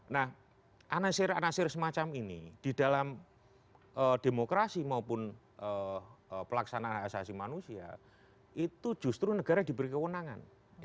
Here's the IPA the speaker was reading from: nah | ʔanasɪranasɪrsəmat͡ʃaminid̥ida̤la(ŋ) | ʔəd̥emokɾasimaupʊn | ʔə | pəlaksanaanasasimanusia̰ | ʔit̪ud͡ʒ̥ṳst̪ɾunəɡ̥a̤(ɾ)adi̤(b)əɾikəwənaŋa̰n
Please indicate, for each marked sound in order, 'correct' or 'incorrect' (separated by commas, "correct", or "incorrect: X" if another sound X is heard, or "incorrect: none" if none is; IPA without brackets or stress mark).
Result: incorrect: m, correct, correct